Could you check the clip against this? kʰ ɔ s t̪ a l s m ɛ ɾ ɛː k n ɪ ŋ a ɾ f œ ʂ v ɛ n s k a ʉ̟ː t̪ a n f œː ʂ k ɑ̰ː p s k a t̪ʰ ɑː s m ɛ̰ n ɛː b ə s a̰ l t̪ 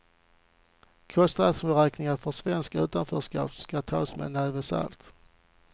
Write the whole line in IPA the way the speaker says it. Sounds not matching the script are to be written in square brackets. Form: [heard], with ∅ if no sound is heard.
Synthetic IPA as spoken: kʰ ɔ s t̪ a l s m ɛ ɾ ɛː k n ɪ ŋ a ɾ f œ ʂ v ɛ n s k a ʉ̟ː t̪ a n f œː ʂ k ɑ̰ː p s k a t̪ʰ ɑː s m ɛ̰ n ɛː [v] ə s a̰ l t̪